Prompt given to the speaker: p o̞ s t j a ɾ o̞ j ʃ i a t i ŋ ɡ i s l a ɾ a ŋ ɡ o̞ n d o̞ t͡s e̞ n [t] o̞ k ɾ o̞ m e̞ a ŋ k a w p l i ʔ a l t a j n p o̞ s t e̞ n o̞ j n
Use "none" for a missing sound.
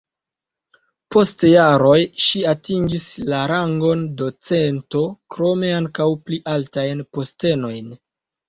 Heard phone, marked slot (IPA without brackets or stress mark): t